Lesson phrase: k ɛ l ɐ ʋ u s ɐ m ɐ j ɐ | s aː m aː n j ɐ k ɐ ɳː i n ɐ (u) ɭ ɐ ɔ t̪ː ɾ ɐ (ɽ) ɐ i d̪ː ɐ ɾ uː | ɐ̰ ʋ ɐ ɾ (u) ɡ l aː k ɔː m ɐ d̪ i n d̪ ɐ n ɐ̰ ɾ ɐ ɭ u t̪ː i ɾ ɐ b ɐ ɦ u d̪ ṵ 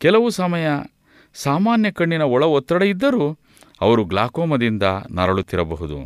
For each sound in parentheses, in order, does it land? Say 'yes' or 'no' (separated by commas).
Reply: no, yes, yes